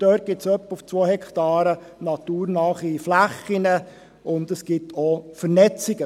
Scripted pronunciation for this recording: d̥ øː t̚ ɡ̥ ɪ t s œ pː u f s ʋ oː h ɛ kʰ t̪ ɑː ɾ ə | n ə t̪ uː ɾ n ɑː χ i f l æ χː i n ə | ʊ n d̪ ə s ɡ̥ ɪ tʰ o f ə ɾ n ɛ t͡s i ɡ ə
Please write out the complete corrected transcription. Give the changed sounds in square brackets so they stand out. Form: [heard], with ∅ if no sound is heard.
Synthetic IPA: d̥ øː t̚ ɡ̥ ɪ t s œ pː u f [t͡s] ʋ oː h ɛ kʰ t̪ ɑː ɾ ə | n [ɑ] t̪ uː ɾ n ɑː χ i f l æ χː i n ə | ʊ n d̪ ə s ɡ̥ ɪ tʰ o f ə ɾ n ɛ t͡s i ɡ ə